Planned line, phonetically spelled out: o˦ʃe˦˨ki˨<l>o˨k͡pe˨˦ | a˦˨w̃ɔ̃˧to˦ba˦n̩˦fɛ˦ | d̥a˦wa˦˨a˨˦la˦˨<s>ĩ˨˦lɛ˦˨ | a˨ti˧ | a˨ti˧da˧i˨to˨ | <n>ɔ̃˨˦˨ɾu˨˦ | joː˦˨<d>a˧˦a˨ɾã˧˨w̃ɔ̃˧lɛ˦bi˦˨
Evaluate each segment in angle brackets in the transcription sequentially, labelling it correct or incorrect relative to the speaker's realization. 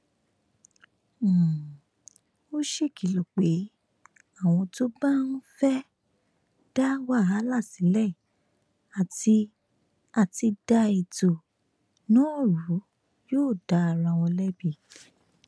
correct, correct, correct, correct

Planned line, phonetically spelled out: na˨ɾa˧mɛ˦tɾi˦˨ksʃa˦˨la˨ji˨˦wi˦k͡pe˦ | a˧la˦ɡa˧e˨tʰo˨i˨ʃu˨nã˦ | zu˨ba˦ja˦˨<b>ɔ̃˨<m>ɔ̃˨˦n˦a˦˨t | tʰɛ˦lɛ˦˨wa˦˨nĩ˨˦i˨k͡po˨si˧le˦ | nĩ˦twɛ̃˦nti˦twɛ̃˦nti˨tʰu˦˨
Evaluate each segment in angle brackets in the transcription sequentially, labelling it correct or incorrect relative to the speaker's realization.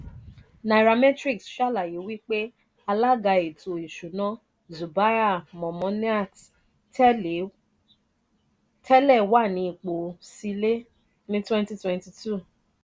incorrect: m, correct

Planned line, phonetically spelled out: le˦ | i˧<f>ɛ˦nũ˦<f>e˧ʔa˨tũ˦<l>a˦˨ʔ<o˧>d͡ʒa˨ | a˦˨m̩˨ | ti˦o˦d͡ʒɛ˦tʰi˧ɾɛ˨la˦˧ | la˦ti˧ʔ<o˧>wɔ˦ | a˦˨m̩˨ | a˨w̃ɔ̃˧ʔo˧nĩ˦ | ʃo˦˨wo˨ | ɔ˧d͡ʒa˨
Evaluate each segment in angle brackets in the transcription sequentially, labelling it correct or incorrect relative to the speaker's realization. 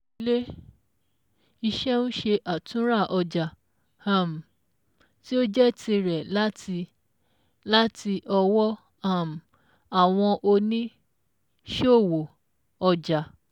incorrect: ʃ, incorrect: ʃ, incorrect: ɾ, incorrect: ɔ˧, incorrect: ɔ˧

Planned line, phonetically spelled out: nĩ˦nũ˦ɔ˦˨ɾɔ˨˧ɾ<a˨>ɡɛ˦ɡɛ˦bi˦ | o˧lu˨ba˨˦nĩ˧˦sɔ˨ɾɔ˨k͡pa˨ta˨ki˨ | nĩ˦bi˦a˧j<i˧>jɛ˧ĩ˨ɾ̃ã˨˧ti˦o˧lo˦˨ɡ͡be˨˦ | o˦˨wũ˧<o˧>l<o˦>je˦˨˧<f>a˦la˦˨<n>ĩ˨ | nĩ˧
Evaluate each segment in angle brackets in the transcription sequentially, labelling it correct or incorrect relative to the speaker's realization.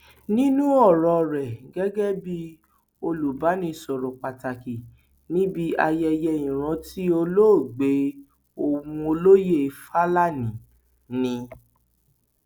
incorrect: ɛ˨, incorrect: ɛ˧, correct, correct, correct, correct

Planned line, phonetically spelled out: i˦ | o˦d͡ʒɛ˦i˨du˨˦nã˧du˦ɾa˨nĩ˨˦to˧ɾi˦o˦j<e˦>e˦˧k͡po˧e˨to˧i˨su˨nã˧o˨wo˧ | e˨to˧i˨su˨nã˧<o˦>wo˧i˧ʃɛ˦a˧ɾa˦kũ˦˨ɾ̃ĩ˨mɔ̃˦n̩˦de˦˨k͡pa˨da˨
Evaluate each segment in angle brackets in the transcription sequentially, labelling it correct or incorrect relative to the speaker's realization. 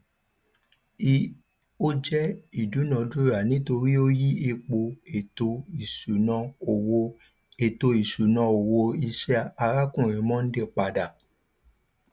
incorrect: i˦, incorrect: o˨

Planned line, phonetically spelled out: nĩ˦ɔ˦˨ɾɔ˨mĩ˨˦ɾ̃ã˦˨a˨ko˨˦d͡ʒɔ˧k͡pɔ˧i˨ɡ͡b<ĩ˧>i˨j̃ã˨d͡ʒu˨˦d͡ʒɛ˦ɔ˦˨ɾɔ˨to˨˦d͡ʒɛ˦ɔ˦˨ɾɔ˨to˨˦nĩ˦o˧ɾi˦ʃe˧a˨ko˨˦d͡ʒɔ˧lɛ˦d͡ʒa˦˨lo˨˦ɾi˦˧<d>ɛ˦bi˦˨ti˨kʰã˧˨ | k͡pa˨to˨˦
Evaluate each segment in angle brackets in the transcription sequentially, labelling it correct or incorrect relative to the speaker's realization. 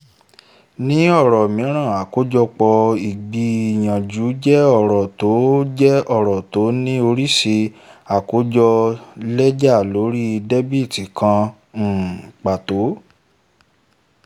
incorrect: i˧, correct

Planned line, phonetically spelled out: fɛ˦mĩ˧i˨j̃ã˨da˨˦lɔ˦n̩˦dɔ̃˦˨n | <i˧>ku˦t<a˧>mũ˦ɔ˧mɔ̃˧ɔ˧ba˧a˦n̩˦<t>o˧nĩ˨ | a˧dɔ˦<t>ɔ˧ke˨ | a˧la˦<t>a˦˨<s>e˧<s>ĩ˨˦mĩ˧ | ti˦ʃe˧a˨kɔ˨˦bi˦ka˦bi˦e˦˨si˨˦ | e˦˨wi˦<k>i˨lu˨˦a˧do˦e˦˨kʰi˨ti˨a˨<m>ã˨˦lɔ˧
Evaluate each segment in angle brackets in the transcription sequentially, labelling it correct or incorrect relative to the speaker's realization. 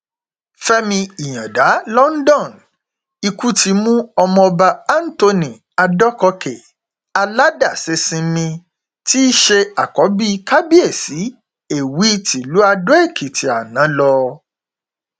correct, incorrect: i˧, correct, incorrect: k, incorrect: d, correct, correct, incorrect: t, incorrect: n

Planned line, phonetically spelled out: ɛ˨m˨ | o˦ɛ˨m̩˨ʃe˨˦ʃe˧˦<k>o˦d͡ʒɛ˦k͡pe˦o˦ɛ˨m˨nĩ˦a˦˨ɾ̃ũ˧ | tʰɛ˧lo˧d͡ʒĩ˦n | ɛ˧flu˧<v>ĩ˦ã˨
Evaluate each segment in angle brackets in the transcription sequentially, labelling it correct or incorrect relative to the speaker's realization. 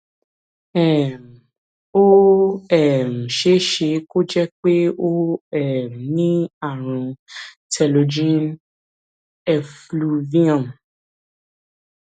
correct, correct

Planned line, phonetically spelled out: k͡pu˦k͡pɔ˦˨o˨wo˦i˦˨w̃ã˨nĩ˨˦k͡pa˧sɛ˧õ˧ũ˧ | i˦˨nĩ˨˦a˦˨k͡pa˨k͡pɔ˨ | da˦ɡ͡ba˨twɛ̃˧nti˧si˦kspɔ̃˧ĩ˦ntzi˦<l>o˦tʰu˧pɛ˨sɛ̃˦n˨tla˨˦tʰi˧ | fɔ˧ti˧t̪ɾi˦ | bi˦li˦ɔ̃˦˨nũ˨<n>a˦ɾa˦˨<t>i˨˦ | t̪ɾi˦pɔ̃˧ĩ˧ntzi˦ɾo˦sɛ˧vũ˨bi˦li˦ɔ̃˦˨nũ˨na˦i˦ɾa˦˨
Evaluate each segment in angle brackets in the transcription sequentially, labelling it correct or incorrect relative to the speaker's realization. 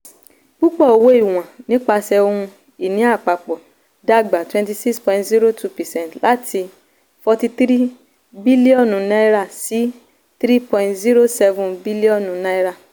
incorrect: ɾ, correct, incorrect: s

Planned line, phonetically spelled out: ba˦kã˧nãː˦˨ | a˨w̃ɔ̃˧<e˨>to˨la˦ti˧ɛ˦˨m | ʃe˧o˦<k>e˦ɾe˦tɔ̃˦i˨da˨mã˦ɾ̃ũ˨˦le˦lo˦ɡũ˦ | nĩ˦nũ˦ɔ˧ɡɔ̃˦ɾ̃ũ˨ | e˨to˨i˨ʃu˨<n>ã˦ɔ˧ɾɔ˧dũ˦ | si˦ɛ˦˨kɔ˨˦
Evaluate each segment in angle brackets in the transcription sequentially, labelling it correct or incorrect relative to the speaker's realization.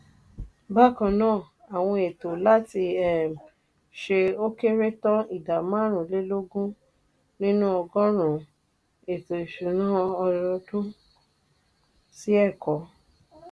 correct, correct, correct

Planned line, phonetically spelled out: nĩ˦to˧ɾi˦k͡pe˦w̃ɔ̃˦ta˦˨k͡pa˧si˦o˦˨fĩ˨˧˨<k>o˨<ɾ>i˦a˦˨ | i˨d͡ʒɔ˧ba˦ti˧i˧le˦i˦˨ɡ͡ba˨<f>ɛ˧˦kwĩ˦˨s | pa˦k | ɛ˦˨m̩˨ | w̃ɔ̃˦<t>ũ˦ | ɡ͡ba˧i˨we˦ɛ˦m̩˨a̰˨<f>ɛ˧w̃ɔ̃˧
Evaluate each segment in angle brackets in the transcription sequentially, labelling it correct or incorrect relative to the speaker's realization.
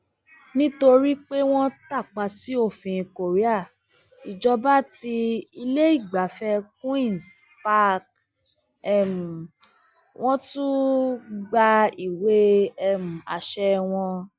correct, correct, correct, correct, incorrect: ʃ

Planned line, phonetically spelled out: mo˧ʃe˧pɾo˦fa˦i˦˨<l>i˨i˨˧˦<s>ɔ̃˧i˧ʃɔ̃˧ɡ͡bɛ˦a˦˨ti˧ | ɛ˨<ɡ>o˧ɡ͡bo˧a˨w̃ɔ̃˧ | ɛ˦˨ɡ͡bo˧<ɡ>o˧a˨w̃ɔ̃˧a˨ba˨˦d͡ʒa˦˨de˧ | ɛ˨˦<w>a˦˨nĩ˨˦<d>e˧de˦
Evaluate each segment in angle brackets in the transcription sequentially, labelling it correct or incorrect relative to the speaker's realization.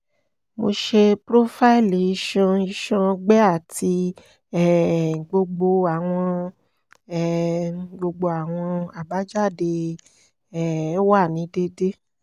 correct, incorrect: ʃ, incorrect: ɡ͡b, incorrect: ɡ͡b, correct, correct

